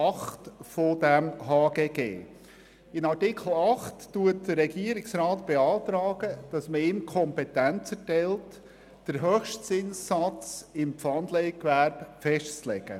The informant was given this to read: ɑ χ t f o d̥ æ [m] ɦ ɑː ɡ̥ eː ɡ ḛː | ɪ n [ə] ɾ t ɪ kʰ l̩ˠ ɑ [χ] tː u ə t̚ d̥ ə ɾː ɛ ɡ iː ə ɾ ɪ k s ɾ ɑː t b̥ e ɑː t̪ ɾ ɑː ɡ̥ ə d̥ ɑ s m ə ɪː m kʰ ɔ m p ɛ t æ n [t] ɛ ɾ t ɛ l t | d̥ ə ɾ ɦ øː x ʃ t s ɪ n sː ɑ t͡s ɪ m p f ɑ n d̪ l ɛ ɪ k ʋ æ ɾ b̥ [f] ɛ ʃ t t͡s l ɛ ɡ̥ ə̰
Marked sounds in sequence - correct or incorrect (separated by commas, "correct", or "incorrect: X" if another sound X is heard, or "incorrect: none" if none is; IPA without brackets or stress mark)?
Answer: correct, incorrect: ɑ, correct, incorrect: t͡s, correct